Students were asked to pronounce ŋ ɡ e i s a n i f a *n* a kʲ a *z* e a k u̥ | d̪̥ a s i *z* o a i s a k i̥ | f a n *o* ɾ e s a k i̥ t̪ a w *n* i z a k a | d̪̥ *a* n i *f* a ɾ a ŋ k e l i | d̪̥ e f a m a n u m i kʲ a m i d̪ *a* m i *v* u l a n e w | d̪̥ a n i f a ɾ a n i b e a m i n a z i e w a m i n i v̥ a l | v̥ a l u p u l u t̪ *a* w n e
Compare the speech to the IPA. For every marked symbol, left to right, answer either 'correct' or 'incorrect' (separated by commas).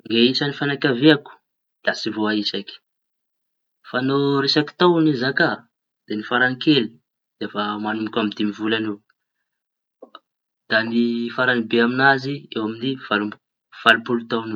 correct, incorrect, incorrect, correct, correct, incorrect, correct, incorrect, correct, correct